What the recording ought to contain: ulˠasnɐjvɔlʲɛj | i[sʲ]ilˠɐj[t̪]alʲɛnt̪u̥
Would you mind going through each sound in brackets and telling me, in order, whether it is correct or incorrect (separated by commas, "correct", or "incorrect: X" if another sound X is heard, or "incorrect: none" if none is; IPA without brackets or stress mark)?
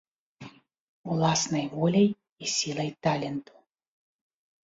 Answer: correct, correct